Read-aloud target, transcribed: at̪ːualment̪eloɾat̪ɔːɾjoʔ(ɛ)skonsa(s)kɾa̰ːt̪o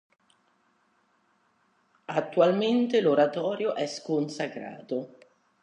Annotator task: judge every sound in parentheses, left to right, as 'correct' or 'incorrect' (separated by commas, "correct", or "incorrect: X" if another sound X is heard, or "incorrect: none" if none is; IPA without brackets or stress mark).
correct, incorrect: none